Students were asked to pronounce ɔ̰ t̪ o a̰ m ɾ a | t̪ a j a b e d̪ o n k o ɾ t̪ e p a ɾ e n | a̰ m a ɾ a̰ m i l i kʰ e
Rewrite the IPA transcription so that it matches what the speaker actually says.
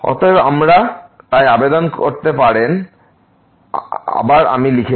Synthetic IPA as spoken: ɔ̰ t̪ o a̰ m ɾ a | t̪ a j a b e d̪ o n k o ɾ t̪ e p a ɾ e n | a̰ b a ɾ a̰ m i l i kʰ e

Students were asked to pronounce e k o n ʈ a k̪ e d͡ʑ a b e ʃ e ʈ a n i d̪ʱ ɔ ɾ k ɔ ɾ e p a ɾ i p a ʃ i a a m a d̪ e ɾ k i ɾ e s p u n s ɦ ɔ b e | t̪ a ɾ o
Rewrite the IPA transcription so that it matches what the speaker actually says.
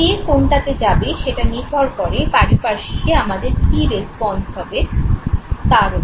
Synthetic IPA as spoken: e k o n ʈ a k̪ e d͡ʑ a b e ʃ e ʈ a n i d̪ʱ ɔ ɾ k ɔ ɾ e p a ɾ i p a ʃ i e a m a d̪ e ɾ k i ɾ e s p ɔ n s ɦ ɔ b e | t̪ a ɾ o

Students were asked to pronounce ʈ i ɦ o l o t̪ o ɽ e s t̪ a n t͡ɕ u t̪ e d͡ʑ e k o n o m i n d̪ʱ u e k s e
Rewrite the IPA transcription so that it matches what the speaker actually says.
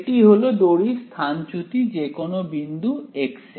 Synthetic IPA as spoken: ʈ i ɦ o l o d̪ o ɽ i s t̪ʰ a n t͡ɕ u t̪ i d͡ʑ e k o n o b i n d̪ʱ u e k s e

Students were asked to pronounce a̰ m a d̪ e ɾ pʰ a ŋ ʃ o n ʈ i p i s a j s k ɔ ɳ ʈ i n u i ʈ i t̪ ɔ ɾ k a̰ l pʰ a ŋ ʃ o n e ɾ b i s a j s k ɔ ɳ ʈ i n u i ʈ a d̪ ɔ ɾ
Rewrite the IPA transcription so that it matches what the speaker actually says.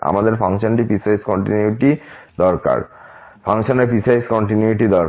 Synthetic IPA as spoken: a̰ m a d̪ e ɾ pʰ a ŋ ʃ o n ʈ i p i s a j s k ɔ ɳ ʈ i n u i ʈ i d̪ ɔ ɾ k a̰ ɾ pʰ a ŋ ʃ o n e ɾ p i s a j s k ɔ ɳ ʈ i n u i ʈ i d̪ ɔ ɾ

